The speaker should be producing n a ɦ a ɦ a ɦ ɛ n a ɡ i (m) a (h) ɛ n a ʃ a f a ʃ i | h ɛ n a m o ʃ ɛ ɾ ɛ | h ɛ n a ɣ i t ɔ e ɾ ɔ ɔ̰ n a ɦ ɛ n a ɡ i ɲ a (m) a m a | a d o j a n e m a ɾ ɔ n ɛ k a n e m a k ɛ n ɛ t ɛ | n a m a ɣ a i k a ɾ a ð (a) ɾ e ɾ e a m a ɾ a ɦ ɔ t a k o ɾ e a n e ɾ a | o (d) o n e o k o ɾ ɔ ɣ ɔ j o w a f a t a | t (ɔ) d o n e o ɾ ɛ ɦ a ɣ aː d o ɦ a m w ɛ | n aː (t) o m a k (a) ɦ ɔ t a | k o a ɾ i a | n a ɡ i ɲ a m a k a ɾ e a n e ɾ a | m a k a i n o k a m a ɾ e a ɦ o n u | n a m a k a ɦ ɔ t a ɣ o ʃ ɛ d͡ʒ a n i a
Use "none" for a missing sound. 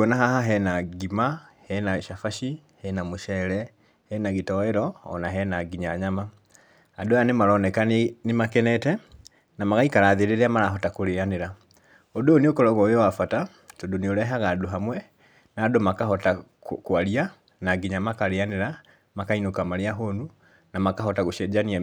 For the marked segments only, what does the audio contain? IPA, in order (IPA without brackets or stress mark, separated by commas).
m, h, ɲ, e, d, o, d, a